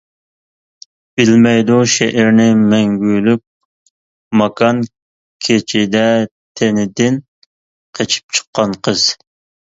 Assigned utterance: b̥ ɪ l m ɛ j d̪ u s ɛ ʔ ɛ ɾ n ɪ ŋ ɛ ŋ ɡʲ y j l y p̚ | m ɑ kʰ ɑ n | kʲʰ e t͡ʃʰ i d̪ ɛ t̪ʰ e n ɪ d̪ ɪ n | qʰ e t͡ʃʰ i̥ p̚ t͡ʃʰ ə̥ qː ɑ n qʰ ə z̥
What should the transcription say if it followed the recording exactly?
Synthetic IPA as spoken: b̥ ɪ l m ɛ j d̪ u ʃ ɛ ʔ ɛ ɾ n ɪ m ɛ ŋ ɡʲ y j l y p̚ | m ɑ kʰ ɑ n | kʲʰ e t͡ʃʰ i d̪ ɛ t̪ʰ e n ɪ d̪ ɪ n | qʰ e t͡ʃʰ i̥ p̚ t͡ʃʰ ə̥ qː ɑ n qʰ ə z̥

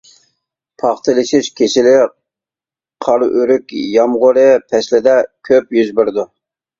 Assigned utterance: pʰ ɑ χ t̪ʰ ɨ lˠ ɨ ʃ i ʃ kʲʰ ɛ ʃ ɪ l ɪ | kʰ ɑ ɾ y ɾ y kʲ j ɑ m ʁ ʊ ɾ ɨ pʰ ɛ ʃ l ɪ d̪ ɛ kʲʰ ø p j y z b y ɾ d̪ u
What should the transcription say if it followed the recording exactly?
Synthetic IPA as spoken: pʰ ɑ χ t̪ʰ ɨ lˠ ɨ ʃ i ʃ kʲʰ e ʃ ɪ l ɪ | qʰ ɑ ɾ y ɾ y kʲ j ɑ m ʁ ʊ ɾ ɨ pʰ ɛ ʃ l ɪ d̪ ɛ kʲʰ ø p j y z b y ɾ d̪ u

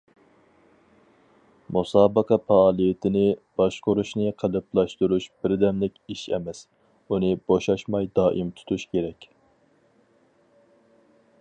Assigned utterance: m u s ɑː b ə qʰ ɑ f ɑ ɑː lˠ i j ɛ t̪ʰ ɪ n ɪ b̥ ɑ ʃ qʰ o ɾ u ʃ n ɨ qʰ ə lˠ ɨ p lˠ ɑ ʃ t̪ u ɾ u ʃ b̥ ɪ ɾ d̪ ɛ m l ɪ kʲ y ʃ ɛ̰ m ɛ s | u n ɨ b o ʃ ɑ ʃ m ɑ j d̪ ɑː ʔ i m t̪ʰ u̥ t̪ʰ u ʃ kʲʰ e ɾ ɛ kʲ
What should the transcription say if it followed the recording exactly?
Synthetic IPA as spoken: m u s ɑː b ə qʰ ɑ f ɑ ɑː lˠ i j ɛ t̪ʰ ɪ n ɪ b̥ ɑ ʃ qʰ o ɾ u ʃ n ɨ qʰ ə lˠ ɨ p lˠ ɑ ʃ t̪ u ɾ u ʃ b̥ ɪ ɾ d̪ ɛ m l ɪ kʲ i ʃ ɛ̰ m ɛ s | u n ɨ b o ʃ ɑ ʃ m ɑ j d̪ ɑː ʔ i m t̪ʰ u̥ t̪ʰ u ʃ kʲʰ e ɾ ɛ kʲ

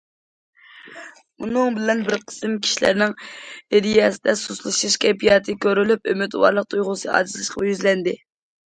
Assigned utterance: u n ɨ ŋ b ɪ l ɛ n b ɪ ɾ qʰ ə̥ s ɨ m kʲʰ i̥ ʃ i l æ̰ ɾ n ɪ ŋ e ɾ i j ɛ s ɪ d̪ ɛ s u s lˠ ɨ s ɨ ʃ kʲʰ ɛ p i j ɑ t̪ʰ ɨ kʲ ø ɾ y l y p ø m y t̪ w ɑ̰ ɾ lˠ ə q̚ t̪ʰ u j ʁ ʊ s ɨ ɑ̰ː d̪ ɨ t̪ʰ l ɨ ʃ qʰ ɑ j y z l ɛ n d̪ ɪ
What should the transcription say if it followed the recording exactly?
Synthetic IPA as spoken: u n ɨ ŋ b ɪ l ɛ n b ɪ ɾ qʰ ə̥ s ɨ m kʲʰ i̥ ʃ i l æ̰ ɾ n ɪ ŋ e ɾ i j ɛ s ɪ d̪ ɛ s u s lˠ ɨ ʃ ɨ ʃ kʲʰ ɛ p i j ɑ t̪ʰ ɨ kʲ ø ɾ y l y p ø m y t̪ w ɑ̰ ɾ lˠ ə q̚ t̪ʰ u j ʁ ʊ s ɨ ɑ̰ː d̪ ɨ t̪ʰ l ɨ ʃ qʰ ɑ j y z l ɛ n d̪ ɪ

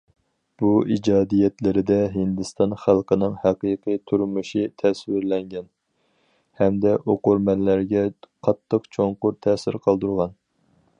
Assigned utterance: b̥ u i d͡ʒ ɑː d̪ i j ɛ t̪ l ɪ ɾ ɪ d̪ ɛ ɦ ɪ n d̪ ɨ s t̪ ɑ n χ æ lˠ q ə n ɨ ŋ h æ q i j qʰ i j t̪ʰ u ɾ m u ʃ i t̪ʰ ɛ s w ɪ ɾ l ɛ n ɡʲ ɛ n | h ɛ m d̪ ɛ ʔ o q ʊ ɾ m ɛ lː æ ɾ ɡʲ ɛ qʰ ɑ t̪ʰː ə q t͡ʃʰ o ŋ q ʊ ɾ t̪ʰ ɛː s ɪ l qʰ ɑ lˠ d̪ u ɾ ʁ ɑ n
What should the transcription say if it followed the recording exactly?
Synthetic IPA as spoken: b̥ u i d͡ʒ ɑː d̪ i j ɛ t̪ l ɪ ɾ ɪ d̪ ɛ ɦ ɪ n d̪ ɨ s t̪ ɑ n χ æ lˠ q ə n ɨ ŋ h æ q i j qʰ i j t̪ʰ u ɾ m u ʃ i t̪ʰ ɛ s w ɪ ɾ l ɛ ŋ ɡʲ ɛ n | h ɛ m d̪ ɛ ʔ o q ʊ ɾ m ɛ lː æ ɾ ɡʲ ɛ qʰ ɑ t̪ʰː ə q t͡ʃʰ o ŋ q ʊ ɾ t̪ʰ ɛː s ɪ ɾ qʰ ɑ lˠ d̪ u ɾ ʁ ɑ n

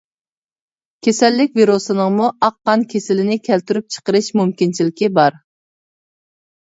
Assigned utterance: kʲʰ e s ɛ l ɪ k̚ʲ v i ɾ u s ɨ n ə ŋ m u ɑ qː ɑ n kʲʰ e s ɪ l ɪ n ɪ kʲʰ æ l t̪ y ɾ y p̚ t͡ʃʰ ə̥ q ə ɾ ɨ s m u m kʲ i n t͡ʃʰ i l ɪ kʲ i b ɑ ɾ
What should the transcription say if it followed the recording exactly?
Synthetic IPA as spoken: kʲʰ e s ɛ lː ɪ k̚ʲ v i ɾ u s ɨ n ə ŋ m u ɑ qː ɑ n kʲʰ e s ɪ l ɪ n ɪ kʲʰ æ l t̪ y ɾ y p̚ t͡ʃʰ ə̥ q ə ɾ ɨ ʃ m u m kʲ i n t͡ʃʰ i l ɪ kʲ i b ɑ ɾ

